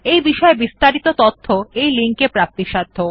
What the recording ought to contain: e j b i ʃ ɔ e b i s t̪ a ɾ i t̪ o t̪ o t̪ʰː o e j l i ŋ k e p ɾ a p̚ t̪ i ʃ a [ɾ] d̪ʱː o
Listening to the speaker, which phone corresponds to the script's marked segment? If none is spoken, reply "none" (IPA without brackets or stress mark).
none